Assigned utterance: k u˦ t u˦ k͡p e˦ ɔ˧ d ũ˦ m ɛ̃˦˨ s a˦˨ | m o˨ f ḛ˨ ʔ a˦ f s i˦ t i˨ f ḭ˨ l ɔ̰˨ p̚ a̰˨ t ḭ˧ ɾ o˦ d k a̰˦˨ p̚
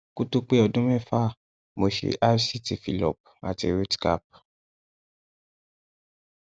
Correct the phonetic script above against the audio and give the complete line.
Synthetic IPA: k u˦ t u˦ k͡p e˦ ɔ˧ d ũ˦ m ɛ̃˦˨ f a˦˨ | m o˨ ʃ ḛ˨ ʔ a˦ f s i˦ t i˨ f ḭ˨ l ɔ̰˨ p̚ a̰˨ t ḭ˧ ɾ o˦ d k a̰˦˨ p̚